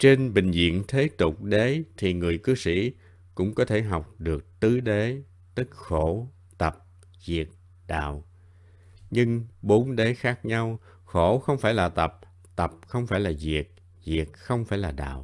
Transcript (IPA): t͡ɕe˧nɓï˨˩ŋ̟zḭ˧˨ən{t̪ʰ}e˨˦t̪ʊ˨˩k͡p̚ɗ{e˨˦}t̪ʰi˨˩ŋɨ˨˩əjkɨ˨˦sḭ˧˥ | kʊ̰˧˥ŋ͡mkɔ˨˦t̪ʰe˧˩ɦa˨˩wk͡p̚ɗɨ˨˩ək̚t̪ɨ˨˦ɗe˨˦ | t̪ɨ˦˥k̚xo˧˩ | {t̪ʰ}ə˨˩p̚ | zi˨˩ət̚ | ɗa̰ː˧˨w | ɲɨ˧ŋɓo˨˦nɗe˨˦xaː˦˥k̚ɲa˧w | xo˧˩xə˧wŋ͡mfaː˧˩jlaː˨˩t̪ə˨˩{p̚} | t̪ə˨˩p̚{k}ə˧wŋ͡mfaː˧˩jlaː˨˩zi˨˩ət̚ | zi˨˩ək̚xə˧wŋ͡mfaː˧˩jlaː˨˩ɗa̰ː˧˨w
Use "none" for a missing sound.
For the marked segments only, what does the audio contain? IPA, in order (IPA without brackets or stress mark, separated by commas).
t̪ʰ, e˨˦, t̪, p̚, x